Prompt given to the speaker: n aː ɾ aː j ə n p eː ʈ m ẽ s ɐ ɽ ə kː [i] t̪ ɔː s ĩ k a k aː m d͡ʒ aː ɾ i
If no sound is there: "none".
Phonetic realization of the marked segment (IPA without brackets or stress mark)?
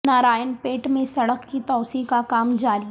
i